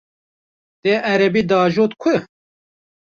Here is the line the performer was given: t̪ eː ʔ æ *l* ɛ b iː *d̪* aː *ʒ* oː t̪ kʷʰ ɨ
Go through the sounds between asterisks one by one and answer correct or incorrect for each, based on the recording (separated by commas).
incorrect, correct, correct